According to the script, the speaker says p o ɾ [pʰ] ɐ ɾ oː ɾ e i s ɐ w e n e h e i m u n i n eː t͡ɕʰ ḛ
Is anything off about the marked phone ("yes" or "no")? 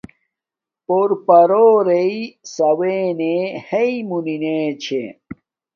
yes